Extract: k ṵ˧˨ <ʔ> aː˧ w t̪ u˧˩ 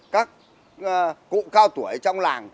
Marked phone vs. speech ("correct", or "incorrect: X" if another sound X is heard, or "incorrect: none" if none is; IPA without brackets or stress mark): incorrect: k